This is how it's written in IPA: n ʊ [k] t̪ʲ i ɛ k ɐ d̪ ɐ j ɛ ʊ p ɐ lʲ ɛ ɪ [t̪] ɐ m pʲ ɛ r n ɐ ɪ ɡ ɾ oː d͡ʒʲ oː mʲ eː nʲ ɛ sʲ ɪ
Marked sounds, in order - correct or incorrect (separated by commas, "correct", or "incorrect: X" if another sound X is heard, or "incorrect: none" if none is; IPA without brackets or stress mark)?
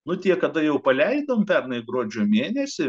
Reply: incorrect: none, incorrect: d̪